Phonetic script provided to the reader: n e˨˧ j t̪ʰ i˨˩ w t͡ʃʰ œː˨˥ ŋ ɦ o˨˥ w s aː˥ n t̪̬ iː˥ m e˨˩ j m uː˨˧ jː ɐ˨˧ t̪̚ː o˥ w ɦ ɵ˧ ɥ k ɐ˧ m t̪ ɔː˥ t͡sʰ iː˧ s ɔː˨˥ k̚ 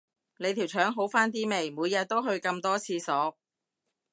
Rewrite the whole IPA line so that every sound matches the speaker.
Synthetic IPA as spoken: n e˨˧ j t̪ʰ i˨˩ w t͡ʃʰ œː˨˥ ŋ ɦ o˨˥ w f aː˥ n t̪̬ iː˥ m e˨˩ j m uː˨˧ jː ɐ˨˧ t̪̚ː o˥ w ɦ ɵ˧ ɥ k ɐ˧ m t̪ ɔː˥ t͡sʰ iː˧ s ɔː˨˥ k̚

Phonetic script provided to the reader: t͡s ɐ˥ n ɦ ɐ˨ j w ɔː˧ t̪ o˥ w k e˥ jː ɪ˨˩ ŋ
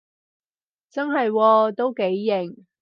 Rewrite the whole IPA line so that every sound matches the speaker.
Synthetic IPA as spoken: t͡s ɐ˥ n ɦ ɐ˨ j w ɔː˧ t̪ o˥ w k e˨˥ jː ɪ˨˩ ŋ

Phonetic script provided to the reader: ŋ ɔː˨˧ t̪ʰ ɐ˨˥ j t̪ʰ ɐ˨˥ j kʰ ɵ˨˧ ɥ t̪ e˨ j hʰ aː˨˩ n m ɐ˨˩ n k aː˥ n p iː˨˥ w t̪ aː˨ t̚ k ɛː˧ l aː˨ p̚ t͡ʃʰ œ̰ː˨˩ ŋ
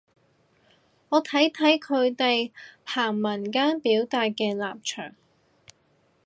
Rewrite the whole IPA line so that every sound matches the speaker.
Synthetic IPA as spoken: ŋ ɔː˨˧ t̪ʰ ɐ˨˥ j t̪ʰ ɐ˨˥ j kʰ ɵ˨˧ ɥ t̪ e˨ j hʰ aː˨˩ ŋ m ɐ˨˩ n k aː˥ n p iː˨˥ w t̪ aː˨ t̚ k ɛː˧ l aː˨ p̚ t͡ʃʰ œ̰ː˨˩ ŋ

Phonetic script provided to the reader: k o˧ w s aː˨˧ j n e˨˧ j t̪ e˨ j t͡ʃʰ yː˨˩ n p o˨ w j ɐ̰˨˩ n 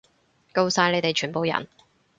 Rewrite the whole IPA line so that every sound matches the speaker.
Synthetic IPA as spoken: k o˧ w s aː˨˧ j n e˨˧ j t̪ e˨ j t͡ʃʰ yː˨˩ n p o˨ w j ɐ̰˨˩ n

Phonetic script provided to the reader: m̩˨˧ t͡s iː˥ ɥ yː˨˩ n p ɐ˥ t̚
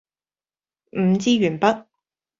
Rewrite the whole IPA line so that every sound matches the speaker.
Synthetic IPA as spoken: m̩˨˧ t͡s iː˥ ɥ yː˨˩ n p ɐ˥ t̚

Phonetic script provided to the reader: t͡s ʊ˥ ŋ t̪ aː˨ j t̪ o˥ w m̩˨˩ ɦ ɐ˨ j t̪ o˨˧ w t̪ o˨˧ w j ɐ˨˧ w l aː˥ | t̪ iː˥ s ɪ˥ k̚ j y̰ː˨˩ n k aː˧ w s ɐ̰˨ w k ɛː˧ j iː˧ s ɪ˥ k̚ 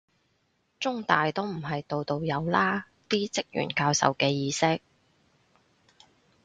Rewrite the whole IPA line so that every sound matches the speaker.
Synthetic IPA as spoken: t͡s ʊ˥ ŋ t̪ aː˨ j t̪ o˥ w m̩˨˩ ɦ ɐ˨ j t̪ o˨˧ w t̪ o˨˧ w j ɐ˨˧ w l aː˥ | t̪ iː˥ t͡s ɪ˥ k̚ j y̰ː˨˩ n k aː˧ w s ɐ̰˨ w k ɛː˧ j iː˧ s ɪ˥ k̚

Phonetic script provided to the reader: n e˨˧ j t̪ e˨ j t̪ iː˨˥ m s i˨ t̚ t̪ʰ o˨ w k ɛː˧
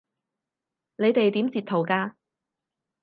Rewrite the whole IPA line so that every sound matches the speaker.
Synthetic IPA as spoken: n e˨˧ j t̪ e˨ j t̪ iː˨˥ m t͡s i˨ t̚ t̪ʰ o˨ w k aː˧

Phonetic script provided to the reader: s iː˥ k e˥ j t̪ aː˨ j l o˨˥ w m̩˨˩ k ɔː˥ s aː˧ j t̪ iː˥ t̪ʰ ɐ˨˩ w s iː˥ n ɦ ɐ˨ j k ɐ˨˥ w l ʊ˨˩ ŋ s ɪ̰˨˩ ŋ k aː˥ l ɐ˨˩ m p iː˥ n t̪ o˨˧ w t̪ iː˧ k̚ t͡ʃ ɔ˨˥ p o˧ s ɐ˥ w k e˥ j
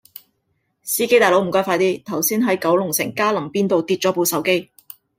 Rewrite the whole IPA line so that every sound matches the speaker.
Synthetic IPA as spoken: s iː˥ k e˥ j t̪ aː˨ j l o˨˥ w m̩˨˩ k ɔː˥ f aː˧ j t̪ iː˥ t̪ʰ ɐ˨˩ w s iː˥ n ɦ ɐ˨˥ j k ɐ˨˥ w l ʊ˨˩ ŋ s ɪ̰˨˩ ŋ k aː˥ l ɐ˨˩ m p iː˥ n t̪ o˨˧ w t̪ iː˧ t̚ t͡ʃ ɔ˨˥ p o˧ s ɐ˨˥ w k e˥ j

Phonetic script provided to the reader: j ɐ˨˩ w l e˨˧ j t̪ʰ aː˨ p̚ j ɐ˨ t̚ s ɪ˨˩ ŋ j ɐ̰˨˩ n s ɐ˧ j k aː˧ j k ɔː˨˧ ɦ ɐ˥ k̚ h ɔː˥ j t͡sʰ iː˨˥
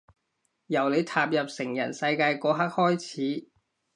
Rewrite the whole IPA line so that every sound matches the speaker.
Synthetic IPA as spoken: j ɐ˨˩ w l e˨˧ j t̪ʰ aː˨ p̚ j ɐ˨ p̚ s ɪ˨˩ ŋ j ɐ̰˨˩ n s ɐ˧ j k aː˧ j k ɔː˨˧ ɦ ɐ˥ k̚ h ɔː˥ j t͡sʰ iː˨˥

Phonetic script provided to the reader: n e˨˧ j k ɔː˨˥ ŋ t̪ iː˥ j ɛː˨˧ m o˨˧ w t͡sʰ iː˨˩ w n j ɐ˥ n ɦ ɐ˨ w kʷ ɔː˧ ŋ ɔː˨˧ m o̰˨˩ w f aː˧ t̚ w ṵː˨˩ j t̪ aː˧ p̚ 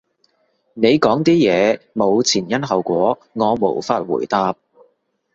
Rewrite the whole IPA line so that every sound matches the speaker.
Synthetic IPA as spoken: n e˨˧ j k ɔː˨˥ ŋ t̪ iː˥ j ɛː˨˧ m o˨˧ w t͡sʰ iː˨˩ n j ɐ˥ n ɦ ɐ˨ w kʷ ɔː˨˥ ŋ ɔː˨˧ m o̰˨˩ w f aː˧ t̚ w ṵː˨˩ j t̪ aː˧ p̚

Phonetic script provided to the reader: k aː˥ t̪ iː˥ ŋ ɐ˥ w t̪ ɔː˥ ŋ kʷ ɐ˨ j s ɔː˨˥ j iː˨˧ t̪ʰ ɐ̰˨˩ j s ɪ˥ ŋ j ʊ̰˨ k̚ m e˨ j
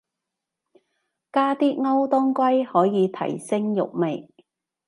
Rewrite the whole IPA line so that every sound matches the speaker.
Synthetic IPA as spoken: k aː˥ t̪ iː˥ ŋ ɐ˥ w t̪ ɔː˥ ŋ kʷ ɐ˥ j h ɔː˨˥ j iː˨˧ t̪ʰ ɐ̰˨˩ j s ɪ˥ ŋ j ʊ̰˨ k̚ m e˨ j

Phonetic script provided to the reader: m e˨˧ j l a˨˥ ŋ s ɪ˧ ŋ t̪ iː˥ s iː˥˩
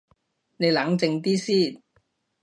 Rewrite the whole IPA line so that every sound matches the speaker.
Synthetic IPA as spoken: n e˨˧ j l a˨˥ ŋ t͡s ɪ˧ ŋ t̪ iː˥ s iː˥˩

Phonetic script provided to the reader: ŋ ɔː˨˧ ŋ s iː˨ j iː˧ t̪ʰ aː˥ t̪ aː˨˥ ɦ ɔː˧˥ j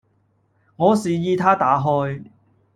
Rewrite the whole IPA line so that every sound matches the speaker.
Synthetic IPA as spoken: ŋ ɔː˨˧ s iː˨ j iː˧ t̪ʰ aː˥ t̪ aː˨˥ ɦ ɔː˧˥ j

